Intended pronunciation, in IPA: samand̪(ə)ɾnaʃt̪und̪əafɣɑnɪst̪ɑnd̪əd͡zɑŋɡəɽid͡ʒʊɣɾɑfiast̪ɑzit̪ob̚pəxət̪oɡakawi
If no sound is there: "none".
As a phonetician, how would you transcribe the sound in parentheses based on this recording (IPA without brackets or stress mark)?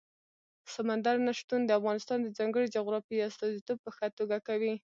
a